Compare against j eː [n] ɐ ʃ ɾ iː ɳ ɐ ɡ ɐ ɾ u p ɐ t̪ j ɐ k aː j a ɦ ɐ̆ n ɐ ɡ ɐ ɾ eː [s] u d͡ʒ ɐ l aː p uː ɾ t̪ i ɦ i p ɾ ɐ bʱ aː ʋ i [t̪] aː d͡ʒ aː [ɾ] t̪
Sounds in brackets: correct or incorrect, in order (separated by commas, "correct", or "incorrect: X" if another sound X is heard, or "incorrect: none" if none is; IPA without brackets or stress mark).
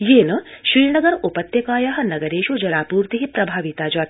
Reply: correct, incorrect: ʃ, correct, incorrect: none